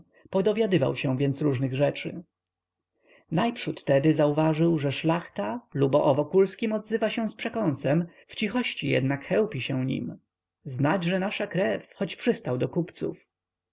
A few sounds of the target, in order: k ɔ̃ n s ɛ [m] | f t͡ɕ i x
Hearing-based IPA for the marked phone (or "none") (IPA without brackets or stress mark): m